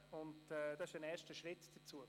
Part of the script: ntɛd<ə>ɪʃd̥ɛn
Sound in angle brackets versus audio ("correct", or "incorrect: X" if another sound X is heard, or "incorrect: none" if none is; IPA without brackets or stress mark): incorrect: ɑ